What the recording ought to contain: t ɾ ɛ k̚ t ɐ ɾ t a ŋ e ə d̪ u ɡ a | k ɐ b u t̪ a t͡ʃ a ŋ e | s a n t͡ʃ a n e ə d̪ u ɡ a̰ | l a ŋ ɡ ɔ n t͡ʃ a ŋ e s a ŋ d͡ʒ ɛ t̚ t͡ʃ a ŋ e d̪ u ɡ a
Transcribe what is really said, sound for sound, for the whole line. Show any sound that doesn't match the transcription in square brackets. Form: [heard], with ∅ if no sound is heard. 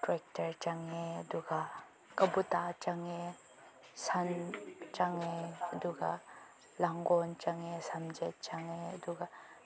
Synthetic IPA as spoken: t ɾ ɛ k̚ t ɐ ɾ [t͡ʃ] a ŋ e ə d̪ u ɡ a | k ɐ b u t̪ a t͡ʃ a ŋ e | s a n t͡ʃ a [ŋ] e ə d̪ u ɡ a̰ | l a ŋ ɡ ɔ n t͡ʃ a ŋ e s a [m] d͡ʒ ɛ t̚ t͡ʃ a ŋ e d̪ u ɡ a